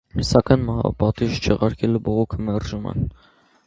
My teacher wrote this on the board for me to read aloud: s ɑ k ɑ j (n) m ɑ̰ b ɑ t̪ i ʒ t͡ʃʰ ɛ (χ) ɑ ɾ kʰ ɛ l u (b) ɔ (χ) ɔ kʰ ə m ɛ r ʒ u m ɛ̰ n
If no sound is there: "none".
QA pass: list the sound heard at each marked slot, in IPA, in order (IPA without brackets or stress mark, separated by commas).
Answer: n, ʁ, b, ʁ